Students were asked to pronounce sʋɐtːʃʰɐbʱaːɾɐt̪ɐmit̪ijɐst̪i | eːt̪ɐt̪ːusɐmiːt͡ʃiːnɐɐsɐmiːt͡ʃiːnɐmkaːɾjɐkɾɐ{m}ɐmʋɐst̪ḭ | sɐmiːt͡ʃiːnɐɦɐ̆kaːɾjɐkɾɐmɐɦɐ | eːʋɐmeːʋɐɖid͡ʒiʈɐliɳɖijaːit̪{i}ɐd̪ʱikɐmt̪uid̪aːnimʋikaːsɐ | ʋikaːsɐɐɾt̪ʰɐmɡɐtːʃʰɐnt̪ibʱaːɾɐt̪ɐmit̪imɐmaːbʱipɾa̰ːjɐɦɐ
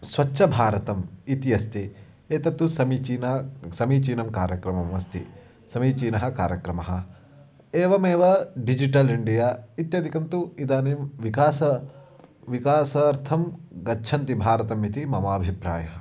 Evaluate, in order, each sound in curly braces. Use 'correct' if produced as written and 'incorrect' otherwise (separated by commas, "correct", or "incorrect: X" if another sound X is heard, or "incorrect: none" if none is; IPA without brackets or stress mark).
correct, incorrect: j